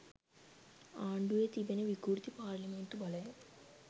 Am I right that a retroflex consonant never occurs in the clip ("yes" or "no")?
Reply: no